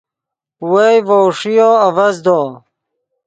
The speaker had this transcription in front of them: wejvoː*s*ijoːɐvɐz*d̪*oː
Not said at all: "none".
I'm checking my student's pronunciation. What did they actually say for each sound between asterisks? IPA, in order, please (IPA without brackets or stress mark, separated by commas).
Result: ʂ, d̪